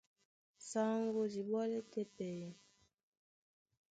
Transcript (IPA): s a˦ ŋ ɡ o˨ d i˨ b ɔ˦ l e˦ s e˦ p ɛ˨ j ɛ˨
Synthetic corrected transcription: s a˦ ŋ ɡ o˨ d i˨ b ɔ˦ l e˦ t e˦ p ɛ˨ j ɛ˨